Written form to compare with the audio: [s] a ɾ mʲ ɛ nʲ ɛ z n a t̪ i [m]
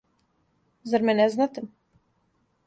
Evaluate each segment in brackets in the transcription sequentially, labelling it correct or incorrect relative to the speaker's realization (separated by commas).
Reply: incorrect, correct